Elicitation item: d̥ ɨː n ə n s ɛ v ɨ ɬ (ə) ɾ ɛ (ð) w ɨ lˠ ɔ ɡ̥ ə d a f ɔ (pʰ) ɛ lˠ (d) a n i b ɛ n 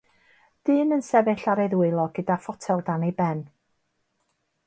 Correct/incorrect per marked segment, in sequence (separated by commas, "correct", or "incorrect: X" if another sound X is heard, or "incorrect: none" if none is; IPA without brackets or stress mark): incorrect: a, correct, incorrect: tʰ, correct